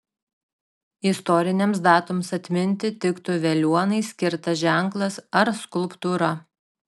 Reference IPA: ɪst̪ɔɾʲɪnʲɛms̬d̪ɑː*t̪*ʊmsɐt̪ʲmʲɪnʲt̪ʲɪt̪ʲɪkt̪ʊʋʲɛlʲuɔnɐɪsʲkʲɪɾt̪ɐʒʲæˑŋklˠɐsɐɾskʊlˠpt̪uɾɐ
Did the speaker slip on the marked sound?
no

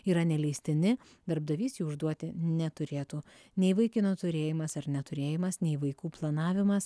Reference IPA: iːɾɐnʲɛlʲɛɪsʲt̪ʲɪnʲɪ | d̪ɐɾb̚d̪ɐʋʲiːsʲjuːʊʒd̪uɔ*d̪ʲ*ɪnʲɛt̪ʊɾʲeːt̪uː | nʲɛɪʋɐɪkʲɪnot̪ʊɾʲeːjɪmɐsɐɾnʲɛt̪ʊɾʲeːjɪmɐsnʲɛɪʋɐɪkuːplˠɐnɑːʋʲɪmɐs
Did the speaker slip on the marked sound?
yes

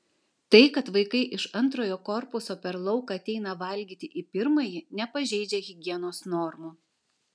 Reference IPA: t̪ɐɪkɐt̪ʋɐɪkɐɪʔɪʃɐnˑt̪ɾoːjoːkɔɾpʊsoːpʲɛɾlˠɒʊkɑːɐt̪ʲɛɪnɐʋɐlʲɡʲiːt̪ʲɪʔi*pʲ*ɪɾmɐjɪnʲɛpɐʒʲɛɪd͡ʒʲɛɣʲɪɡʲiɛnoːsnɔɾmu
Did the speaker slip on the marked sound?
no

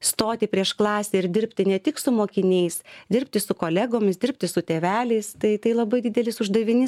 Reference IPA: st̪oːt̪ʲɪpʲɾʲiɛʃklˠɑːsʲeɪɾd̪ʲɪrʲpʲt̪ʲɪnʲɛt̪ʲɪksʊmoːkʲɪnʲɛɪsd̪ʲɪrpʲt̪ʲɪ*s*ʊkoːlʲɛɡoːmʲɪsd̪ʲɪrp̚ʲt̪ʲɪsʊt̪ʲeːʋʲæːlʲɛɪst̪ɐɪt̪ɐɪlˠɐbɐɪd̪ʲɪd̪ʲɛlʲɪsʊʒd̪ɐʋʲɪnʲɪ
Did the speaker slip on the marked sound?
no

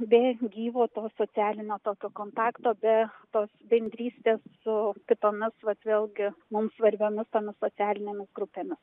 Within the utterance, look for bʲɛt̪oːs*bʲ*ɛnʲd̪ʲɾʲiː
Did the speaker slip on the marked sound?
no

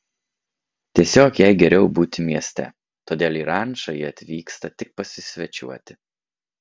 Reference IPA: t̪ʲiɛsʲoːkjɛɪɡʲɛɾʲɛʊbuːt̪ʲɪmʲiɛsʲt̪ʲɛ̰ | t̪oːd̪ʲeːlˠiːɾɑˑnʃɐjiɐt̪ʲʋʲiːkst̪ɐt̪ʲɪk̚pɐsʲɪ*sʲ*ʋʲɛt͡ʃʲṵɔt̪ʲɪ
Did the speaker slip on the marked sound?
no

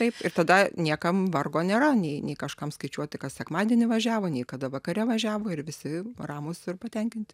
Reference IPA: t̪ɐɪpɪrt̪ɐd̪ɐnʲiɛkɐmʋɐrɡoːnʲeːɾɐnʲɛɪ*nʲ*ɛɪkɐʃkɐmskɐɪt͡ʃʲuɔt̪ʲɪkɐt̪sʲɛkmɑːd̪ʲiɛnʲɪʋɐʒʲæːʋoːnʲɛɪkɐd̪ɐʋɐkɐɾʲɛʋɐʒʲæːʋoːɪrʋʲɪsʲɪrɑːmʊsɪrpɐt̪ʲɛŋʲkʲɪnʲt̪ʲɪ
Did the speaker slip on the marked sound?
no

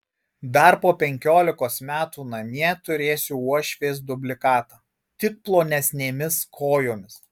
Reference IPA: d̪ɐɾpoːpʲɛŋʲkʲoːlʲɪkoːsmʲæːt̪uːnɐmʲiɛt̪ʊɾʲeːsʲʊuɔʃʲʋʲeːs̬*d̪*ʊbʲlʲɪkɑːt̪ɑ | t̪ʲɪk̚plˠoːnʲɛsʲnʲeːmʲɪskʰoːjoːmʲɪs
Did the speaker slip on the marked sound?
no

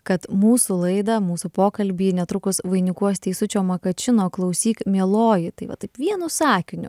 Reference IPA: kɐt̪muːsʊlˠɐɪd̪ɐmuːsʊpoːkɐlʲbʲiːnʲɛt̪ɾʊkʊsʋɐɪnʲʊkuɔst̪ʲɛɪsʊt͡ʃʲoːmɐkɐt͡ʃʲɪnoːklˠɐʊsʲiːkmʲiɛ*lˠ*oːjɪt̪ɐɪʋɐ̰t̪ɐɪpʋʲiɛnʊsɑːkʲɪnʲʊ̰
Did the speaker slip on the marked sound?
no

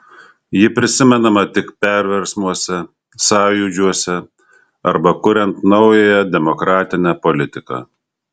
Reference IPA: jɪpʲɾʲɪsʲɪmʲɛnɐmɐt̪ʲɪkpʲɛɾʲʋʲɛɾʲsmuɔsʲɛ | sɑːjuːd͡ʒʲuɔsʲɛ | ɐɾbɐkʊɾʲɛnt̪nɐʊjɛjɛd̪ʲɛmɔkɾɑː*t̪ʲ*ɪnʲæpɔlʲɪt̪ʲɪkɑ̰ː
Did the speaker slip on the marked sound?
no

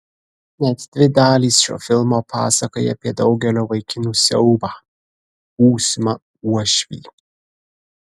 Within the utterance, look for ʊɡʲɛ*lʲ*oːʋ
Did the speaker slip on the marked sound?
no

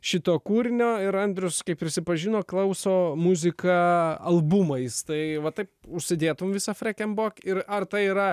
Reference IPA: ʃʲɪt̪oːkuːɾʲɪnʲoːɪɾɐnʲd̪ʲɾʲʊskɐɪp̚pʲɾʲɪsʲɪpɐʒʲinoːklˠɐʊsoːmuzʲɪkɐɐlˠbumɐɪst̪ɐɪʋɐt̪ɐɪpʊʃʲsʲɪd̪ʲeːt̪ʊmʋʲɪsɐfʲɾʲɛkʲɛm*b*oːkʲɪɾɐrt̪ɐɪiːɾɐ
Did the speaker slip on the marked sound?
no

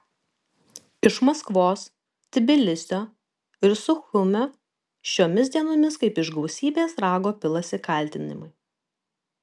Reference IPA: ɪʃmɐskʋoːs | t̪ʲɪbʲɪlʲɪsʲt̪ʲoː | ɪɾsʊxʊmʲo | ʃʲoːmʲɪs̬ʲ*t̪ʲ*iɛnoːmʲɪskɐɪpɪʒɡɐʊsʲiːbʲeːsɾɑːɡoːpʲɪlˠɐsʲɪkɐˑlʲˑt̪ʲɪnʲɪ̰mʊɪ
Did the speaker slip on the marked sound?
yes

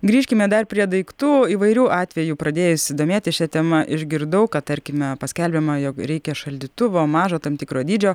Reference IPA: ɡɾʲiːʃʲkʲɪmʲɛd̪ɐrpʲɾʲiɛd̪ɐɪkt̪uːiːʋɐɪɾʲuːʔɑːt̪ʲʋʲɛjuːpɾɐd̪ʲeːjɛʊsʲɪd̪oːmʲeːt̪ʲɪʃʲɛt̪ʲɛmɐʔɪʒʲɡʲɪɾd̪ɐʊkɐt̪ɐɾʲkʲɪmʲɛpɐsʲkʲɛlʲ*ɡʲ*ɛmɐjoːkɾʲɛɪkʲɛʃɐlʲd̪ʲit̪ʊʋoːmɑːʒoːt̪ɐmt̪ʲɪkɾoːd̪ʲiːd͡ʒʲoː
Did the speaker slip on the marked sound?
yes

